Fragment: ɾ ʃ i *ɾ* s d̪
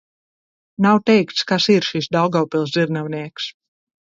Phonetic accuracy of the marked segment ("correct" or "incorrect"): incorrect